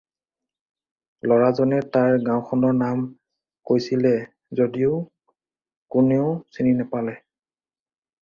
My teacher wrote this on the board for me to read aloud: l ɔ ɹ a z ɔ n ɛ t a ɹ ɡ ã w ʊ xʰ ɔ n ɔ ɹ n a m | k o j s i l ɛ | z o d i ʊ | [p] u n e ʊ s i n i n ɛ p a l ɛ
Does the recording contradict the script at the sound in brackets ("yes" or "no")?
yes